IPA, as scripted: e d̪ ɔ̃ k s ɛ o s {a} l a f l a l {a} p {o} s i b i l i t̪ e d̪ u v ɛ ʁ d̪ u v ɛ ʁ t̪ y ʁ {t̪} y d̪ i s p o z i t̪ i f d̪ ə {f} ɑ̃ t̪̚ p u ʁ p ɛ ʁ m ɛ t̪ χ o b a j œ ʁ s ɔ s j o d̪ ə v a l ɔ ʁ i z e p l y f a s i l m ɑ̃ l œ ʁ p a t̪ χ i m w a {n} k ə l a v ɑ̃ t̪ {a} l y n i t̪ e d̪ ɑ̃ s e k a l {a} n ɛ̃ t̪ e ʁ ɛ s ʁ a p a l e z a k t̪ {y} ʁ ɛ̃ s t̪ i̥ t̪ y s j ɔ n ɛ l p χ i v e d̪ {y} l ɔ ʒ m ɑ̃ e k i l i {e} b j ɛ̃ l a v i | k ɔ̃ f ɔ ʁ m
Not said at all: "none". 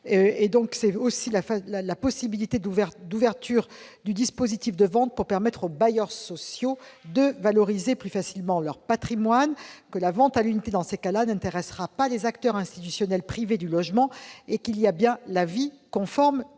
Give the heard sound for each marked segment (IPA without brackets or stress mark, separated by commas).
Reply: i, a, ɔ, d̪, v, n, a, a, œ, y, a